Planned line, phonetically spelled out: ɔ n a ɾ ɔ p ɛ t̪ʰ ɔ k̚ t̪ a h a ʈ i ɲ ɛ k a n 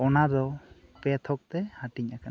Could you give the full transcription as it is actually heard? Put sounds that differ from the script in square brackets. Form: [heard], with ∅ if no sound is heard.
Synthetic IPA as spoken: ɔ n a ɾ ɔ p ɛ t̪ʰ ɔ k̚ t̪ [ɛ] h a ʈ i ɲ [a] k a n